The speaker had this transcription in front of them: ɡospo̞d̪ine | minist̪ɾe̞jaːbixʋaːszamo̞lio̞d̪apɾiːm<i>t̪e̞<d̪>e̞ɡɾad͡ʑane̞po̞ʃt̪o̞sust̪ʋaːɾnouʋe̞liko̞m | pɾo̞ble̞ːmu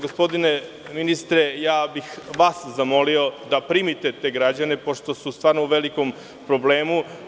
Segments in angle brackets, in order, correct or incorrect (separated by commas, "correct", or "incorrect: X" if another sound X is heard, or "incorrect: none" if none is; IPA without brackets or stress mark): correct, incorrect: t̪